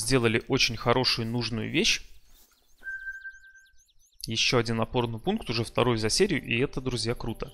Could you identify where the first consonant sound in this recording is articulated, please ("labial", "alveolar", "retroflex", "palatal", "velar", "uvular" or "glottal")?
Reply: alveolar